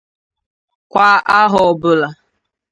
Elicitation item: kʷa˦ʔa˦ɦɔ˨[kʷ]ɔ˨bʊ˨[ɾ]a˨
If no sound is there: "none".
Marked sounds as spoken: none, l

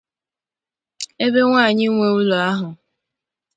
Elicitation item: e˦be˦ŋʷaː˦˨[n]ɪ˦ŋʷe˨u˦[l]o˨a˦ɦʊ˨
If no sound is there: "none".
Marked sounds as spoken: ɲ, l

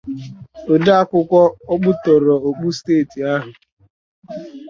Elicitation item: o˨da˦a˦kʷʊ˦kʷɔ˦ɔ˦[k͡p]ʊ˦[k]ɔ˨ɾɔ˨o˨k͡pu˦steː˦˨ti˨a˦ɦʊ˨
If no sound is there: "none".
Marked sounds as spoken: k͡p, t

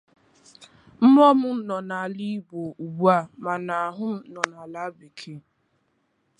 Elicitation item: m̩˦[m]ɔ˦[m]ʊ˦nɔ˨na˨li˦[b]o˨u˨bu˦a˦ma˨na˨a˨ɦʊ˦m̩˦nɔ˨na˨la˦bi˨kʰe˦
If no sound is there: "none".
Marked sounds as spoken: m, m, b

